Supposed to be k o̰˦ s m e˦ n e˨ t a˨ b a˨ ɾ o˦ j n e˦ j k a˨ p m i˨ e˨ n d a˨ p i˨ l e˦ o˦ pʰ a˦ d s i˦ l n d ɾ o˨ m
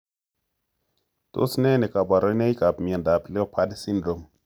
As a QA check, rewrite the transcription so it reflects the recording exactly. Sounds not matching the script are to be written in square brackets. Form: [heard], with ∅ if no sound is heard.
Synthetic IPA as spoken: [t] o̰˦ s [n] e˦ n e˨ [k] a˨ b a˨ ɾ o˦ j n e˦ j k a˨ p m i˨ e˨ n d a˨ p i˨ l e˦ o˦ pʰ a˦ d s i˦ [∅] n d ɾ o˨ m

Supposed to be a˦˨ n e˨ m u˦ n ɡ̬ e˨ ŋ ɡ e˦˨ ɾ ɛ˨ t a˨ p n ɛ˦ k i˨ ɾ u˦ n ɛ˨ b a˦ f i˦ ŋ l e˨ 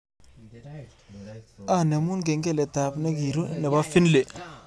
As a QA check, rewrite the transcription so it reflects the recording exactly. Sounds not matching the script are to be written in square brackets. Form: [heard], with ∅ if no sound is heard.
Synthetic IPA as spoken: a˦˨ n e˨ m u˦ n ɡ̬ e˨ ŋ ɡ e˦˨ [l] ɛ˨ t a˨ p n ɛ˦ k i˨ ɾ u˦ n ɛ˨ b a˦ f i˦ [n] l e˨

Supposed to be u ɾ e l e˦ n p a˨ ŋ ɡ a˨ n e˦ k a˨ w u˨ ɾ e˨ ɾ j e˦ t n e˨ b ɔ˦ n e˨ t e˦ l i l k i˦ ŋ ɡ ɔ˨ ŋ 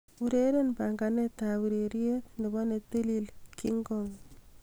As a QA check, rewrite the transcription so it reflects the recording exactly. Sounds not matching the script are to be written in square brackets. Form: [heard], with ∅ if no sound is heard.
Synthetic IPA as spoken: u ɾ e [ɾ] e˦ n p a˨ ŋ ɡ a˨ n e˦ [t] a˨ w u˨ ɾ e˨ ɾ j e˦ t n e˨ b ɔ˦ n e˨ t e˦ l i l k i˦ ŋ ɡ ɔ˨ ŋ

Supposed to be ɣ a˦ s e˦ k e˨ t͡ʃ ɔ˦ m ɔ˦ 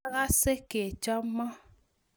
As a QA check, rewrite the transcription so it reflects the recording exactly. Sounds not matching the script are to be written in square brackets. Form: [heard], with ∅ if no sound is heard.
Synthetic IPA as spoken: ɣ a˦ s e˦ k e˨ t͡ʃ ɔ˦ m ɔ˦

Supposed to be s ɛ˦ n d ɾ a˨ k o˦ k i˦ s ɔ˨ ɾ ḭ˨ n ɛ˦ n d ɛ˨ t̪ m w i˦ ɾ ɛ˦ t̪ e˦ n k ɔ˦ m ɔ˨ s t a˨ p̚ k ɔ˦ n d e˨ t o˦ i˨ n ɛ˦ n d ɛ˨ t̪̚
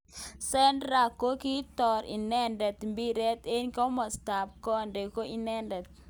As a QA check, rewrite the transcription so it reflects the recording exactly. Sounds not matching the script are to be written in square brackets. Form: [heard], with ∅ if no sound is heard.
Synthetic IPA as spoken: s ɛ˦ n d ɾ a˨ k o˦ k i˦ [t] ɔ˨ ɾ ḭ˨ n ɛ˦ n d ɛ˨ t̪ m [b] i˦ ɾ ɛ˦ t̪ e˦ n k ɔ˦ m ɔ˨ s t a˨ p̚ k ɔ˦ n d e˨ [k] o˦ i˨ n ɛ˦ n d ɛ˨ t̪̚

